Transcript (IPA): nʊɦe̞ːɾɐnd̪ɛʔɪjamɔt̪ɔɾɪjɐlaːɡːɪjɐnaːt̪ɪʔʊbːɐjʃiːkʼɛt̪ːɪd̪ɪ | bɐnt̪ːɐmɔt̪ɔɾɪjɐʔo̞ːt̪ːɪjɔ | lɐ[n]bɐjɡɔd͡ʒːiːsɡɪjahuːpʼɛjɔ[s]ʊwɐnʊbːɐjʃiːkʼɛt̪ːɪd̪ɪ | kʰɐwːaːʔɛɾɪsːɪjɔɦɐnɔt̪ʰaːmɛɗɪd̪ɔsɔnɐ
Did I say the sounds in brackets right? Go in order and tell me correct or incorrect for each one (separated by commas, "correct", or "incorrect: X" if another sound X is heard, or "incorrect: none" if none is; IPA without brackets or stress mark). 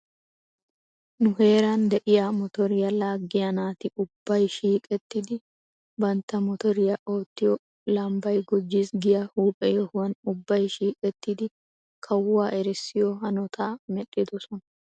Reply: incorrect: m, incorrect: h